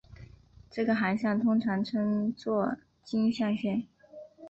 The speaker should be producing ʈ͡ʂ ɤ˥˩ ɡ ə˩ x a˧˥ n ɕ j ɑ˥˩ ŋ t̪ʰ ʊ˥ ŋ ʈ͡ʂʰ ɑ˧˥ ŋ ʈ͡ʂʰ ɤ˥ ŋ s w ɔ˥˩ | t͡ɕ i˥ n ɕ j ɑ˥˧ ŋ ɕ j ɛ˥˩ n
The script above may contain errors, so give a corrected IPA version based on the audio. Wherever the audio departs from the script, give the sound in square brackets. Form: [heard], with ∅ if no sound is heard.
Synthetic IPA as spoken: ʈ͡ʂ ɤ˥˩ ɡ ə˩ x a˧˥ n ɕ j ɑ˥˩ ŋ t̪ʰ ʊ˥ ŋ ʈ͡ʂʰ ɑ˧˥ ŋ ʈ͡ʂʰ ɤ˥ ŋ [t͡s] w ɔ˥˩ | t͡ɕ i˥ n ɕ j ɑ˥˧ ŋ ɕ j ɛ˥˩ n